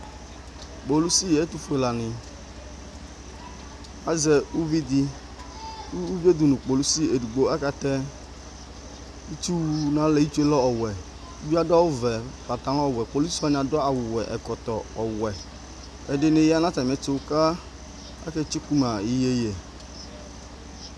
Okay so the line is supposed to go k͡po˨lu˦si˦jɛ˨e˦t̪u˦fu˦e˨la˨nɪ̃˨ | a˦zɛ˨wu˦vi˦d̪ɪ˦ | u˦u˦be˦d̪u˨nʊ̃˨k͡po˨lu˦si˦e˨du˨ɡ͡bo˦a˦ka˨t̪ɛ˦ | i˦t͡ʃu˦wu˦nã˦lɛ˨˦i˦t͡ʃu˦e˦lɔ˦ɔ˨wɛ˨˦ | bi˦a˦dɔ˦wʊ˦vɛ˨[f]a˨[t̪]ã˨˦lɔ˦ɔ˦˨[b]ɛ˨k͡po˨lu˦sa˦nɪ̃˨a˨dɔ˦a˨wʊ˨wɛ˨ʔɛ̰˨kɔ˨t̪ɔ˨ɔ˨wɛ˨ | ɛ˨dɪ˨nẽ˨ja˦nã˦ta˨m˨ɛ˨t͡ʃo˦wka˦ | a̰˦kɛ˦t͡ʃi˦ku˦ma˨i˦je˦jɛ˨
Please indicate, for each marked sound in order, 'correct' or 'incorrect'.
correct, correct, incorrect

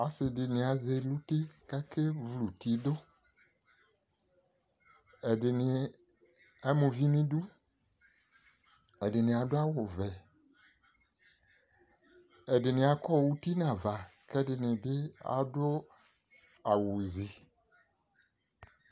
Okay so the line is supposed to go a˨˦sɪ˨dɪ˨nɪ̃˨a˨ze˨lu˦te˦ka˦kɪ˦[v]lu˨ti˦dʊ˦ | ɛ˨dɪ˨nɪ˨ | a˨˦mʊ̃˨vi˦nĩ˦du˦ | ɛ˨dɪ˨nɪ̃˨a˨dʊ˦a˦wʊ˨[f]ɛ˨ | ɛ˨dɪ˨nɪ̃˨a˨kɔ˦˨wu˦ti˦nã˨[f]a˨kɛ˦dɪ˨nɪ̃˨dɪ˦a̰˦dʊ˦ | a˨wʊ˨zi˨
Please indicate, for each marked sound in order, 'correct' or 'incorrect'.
correct, incorrect, incorrect

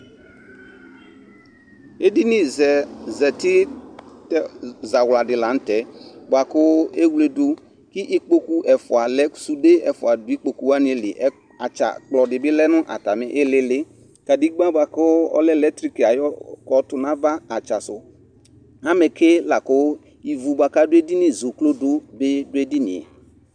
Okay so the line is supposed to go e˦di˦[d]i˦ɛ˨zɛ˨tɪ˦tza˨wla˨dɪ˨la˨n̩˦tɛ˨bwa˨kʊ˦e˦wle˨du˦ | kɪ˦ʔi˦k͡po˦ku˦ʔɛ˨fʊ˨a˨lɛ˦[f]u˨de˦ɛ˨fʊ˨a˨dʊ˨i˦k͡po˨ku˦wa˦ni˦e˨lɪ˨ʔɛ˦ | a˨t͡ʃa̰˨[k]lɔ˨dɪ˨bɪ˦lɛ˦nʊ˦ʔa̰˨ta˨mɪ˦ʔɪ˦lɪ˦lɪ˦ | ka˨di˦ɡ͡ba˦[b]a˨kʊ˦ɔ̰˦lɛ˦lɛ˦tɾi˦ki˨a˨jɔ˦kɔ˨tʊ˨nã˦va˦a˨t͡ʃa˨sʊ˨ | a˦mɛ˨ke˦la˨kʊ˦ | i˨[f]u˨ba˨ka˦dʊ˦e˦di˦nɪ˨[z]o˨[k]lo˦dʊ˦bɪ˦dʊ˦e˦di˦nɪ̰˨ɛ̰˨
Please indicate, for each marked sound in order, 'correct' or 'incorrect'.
incorrect, incorrect, incorrect, correct, incorrect, correct, correct

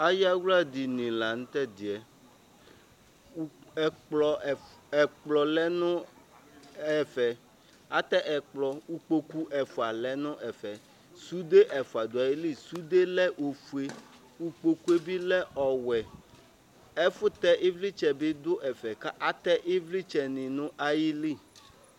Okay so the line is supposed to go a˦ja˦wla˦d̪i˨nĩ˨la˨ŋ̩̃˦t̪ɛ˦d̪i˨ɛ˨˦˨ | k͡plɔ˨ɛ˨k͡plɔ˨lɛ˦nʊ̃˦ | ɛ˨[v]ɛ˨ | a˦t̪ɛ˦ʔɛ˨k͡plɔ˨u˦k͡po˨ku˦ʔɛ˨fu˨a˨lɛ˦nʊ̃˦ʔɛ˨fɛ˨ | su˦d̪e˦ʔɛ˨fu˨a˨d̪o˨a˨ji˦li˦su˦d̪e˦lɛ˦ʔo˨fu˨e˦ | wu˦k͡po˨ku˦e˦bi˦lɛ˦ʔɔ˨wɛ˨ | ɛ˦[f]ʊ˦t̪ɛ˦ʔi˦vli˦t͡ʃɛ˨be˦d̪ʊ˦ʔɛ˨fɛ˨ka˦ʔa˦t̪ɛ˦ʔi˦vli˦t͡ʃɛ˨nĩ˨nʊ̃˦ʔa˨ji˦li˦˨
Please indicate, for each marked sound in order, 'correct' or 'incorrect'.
incorrect, correct

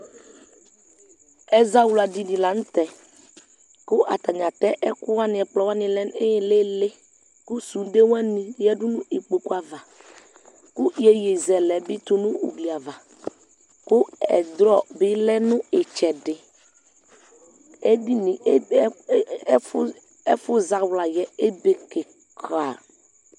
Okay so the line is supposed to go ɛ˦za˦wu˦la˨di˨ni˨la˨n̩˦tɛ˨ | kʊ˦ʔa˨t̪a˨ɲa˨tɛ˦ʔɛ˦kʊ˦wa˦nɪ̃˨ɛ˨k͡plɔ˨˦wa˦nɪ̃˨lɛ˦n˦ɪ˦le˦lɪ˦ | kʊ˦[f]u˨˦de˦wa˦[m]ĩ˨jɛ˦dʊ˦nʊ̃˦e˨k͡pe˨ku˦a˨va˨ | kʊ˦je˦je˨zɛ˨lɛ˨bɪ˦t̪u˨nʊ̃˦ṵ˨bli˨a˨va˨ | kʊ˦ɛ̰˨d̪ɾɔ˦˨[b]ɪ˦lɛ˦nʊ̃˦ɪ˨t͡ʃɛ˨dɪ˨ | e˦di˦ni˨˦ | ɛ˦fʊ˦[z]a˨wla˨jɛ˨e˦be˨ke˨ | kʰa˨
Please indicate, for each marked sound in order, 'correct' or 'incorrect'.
incorrect, incorrect, correct, correct

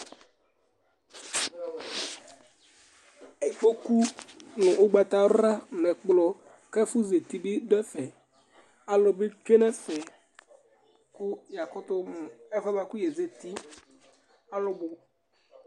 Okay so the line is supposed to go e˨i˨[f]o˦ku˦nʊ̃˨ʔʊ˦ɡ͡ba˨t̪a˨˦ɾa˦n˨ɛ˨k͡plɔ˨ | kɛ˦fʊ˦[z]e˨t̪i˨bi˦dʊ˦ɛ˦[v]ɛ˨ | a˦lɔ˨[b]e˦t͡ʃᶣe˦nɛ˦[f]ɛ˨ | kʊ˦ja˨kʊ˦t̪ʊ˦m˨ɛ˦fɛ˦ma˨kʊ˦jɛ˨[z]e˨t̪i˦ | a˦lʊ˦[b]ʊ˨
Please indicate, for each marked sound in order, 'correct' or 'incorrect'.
correct, correct, incorrect, correct, correct, correct, correct

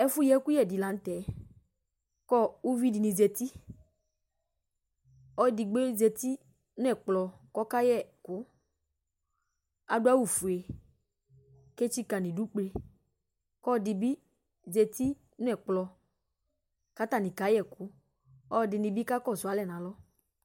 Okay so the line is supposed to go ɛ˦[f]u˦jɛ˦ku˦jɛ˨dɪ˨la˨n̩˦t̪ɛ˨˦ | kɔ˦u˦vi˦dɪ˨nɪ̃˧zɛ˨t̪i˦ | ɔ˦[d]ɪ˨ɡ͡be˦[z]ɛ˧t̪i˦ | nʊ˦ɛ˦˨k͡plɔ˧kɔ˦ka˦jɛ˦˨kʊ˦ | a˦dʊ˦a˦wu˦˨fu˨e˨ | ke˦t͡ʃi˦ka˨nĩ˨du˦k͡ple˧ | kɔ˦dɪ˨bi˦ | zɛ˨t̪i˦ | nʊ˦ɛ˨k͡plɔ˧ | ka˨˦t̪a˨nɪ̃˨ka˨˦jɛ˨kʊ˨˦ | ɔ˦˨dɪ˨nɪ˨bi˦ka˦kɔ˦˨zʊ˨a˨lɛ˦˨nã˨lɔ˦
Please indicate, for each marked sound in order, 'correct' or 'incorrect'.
correct, correct, correct

